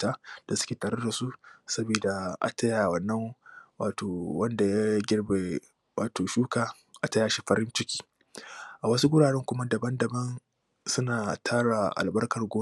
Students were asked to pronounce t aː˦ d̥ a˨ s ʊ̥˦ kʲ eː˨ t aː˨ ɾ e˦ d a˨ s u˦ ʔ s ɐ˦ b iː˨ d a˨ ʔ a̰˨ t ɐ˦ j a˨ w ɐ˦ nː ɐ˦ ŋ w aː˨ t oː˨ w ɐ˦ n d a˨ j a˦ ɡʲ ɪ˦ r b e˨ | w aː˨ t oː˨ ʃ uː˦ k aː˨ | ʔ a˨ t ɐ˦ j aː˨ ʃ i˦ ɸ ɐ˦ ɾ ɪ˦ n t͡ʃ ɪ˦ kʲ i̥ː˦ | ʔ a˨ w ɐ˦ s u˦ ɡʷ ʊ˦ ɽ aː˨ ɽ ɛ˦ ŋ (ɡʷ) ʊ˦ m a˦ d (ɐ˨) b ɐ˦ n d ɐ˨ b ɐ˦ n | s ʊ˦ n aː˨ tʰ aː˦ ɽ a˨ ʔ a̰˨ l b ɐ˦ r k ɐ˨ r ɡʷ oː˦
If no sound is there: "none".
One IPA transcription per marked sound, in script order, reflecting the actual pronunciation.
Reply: kʷ, ɐ˨

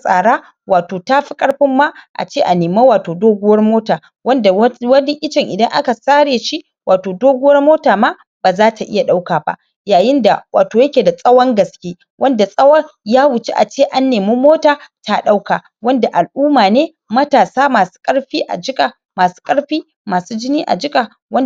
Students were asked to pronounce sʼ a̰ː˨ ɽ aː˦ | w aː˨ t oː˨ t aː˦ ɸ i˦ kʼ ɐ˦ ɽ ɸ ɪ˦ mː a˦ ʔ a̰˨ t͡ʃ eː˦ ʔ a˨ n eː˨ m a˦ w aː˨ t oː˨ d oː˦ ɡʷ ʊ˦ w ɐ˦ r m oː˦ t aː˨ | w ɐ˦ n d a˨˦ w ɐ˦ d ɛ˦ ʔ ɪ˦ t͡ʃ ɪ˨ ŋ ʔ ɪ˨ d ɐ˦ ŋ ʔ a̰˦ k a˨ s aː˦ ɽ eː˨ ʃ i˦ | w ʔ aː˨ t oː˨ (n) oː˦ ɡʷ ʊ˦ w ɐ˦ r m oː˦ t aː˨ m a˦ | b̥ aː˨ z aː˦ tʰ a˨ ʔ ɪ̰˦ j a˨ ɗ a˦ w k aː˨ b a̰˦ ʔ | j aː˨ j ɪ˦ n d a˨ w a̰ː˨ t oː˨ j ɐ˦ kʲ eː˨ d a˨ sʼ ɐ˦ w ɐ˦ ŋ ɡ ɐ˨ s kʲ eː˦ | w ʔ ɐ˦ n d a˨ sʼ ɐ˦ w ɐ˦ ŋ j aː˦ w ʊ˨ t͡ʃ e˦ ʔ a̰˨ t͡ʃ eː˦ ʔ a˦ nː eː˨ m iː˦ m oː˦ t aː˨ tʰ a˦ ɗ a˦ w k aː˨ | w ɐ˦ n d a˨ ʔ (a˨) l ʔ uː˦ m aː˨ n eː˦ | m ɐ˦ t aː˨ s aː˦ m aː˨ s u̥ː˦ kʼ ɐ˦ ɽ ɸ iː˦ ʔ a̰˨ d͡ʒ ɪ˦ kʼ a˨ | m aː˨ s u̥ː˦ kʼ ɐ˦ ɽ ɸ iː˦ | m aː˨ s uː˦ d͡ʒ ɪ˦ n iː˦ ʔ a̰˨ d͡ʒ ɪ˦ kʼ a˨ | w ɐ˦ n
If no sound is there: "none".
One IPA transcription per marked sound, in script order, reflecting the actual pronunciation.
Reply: d, a˨

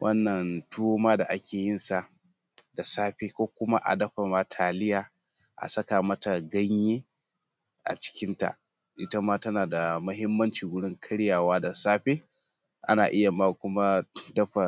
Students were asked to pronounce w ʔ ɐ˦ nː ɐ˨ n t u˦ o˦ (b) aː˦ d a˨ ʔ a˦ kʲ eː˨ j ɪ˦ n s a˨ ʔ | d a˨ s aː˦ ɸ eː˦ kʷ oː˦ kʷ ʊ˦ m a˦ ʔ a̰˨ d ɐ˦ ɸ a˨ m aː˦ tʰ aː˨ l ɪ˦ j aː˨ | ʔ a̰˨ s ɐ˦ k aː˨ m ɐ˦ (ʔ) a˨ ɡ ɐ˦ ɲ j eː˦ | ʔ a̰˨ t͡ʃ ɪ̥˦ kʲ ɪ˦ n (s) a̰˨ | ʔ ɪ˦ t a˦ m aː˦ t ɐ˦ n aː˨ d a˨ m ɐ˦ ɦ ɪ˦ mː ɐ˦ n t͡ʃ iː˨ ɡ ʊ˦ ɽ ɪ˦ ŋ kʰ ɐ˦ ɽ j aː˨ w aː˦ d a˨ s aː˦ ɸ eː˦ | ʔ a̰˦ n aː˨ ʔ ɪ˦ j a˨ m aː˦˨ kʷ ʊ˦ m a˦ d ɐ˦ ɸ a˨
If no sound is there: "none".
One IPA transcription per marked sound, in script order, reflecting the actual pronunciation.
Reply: m, t, t

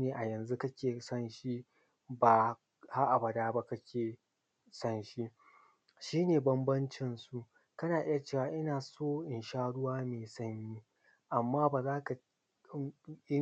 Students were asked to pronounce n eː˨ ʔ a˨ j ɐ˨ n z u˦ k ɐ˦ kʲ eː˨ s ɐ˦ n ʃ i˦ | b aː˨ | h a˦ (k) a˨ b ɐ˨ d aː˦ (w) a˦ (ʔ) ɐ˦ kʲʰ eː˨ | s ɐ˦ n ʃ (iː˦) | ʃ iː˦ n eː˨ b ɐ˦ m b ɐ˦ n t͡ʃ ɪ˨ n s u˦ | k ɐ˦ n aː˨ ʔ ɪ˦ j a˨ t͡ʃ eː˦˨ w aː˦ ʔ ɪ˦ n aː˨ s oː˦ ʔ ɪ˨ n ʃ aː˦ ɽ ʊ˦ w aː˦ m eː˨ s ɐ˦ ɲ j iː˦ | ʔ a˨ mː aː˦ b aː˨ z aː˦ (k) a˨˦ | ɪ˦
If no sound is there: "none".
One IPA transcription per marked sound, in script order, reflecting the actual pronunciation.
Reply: ʔ, b, k, i˦, k

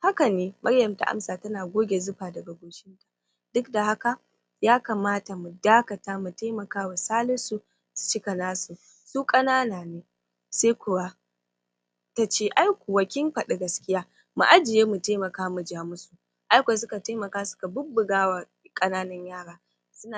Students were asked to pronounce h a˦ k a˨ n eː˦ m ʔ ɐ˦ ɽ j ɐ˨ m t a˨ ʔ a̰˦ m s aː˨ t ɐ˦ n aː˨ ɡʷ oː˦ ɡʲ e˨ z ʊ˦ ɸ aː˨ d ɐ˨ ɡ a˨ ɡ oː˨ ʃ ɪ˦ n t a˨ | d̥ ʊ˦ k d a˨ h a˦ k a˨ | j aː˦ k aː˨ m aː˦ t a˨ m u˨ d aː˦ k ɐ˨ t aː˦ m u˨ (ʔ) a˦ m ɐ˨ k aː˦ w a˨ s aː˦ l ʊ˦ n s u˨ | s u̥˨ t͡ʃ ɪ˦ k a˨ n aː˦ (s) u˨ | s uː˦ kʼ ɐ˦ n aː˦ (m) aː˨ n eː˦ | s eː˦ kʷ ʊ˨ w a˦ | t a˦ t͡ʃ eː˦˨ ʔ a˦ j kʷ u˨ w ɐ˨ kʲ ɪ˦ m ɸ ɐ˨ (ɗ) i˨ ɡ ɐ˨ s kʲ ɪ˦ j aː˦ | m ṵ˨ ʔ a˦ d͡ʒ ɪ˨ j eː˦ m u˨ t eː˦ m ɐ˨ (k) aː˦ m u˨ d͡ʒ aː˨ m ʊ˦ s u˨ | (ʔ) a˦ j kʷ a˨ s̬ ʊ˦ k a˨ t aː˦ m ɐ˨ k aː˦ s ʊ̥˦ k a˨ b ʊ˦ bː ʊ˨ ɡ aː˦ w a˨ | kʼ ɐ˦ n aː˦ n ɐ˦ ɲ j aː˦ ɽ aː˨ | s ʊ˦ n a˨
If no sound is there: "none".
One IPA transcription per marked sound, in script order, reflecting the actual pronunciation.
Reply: t, s, n, ɗ, k, ʔ

